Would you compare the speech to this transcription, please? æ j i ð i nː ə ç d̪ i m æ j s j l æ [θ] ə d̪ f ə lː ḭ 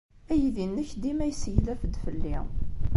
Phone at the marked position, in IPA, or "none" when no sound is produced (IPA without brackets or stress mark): f